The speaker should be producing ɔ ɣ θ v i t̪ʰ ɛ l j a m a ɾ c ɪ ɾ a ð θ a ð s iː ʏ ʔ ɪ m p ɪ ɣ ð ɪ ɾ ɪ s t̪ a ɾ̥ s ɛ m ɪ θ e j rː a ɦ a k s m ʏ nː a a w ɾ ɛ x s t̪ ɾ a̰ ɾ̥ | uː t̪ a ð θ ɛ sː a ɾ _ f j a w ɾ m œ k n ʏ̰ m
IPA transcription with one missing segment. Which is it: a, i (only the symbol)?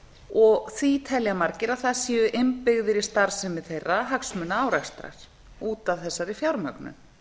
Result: i